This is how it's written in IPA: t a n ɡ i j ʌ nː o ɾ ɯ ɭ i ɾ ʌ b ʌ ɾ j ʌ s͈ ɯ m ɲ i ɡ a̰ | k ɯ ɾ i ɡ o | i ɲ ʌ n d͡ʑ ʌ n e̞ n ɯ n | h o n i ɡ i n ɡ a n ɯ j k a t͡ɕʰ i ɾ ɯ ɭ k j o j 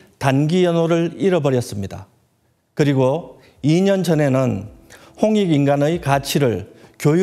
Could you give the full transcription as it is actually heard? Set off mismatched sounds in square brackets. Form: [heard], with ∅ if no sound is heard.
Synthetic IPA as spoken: t a n ɡ i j ʌ [n] o ɾ ɯ ɭ i ɾ ʌ b ʌ ɾ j ʌ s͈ ɯ m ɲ i [d] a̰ | k ɯ ɾ i ɡ o | i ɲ ʌ n d͡ʑ ʌ n e̞ n ɯ n | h o [ŋ] i ɡ i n ɡ a n ɯ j k a t͡ɕʰ i ɾ ɯ ɭ k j o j